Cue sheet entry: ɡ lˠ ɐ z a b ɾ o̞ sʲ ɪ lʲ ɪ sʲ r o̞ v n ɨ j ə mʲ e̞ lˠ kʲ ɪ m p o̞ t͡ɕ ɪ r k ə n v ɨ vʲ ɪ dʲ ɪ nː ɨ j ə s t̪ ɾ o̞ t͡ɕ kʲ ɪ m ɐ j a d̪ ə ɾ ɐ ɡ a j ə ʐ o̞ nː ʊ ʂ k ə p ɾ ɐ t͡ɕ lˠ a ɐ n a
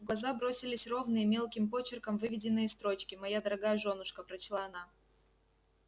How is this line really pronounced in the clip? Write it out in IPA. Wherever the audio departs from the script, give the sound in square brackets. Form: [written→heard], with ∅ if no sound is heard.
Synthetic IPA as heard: ɡ lˠ ɐ z a b ɾ o̞ sʲ ɪ lʲ ɪ sʲ r o̞ v n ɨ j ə mʲ e̞ lˠ kʲ ɪ m p o̞ t͡ɕ ɪ r k ə [n→m] v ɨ vʲ ɪ dʲ ɪ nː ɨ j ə s t̪ ɾ o̞ t͡ɕ kʲ ɪ m ɐ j a d̪ ə ɾ ɐ ɡ a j ə ʐ o̞ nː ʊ ʂ k ə p ɾ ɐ t͡ɕ lˠ a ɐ n a